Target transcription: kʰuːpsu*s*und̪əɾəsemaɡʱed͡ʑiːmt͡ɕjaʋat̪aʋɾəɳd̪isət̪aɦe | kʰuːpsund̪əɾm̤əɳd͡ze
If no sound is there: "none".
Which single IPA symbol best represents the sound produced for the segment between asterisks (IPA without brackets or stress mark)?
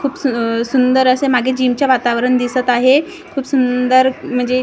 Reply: s